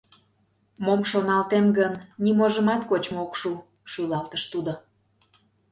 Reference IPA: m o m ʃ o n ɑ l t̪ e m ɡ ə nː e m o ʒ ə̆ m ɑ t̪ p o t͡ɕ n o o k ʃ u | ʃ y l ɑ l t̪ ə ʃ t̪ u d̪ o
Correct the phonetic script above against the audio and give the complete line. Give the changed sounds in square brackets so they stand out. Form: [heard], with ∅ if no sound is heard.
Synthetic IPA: m o m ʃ o n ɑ l t̪ e m ɡ ə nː [i] m o ʒ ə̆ m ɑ t̪ [k] o t͡ɕ [m] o o k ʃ u | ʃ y l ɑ l t̪ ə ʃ t̪ u d̪ o